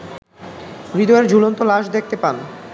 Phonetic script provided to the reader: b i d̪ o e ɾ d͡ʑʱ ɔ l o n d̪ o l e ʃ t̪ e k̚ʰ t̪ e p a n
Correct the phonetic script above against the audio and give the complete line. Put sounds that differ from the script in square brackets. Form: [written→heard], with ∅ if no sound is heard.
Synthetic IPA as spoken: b i d̪ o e ɾ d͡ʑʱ [ɔ→u] l o n [d̪→t̪] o l [e→a] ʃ [t̪→d̪] e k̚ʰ t̪ e p a n